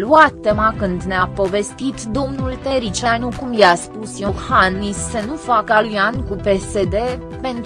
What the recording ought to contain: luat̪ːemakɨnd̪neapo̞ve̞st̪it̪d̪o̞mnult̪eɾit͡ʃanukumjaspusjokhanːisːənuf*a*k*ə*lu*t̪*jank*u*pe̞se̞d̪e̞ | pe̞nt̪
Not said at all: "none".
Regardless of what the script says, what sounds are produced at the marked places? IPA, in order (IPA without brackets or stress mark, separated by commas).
a, a, none, u